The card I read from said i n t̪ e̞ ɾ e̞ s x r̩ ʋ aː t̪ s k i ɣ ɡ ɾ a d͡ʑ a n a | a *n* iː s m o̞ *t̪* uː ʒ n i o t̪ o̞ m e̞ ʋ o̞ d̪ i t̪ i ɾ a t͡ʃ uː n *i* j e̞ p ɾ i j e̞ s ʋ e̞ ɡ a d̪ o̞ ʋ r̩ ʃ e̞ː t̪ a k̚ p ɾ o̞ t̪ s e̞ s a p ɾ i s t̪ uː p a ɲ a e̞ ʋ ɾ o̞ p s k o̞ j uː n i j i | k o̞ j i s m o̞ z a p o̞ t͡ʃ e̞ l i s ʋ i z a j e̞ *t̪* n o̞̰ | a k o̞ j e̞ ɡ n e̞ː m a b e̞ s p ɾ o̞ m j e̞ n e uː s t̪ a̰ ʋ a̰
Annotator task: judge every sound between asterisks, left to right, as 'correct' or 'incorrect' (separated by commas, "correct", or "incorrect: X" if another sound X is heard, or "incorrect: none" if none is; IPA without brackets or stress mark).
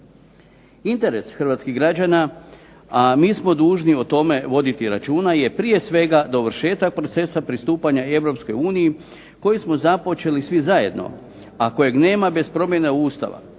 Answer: incorrect: m, incorrect: d̪, incorrect: a, incorrect: d̪